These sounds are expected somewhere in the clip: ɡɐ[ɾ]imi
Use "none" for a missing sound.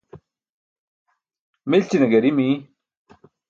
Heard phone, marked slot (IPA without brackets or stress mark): ɾ